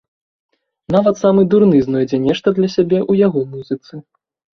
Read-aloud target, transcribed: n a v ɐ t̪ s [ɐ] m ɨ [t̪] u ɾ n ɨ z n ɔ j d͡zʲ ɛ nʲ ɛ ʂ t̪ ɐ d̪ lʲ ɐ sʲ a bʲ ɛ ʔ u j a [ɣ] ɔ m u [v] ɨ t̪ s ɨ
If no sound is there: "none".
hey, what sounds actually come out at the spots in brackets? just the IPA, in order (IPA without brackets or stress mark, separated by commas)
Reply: a, d̪, ɣ, z